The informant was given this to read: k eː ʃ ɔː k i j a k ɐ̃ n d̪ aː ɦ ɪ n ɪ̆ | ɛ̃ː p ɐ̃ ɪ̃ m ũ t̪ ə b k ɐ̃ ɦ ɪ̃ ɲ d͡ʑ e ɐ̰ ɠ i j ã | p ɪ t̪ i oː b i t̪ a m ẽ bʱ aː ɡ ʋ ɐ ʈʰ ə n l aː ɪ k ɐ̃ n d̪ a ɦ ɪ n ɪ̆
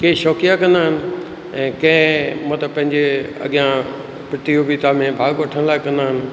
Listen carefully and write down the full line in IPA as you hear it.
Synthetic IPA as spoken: k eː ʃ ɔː k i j a k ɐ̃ n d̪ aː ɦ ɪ n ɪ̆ | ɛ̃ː k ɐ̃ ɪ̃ m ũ t̪ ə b p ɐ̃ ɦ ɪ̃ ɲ d͡ʑ e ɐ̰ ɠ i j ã | p ɪ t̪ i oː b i t̪ a m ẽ bʱ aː ɡ ʋ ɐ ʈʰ ə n l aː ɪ k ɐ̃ n d̪ a ɦ ɪ n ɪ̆